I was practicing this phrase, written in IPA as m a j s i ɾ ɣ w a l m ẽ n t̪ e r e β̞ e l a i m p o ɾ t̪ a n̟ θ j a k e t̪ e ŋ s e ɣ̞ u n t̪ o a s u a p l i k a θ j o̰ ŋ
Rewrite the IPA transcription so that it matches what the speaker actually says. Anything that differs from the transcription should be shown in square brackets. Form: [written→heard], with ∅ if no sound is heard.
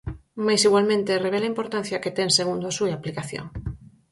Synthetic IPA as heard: m a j s i [ɾ→∅] ɣ w a l m ẽ n t̪ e r e β̞ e l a i m p o ɾ t̪ a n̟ θ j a k e t̪ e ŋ s e ɣ̞ u n [t̪→d̪] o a s u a p l i k a θ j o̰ ŋ